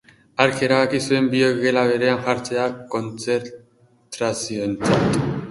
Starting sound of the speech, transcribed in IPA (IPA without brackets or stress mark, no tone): a